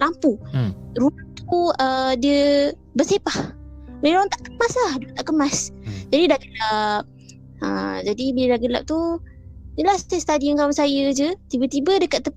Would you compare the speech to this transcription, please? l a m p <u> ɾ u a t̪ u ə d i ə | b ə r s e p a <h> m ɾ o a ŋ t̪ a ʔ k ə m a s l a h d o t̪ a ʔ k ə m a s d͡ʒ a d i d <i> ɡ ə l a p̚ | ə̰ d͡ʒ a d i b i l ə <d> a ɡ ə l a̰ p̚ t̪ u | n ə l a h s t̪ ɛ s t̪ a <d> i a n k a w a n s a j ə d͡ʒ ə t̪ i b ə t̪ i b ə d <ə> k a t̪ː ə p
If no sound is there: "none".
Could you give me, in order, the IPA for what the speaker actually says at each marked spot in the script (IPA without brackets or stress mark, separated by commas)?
u, h, a, d, d, ə